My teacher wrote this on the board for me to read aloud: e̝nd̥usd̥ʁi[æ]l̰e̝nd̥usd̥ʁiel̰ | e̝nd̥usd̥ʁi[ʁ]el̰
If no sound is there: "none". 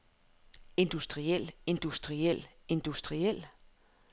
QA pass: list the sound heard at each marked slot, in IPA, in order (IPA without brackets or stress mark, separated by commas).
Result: e, none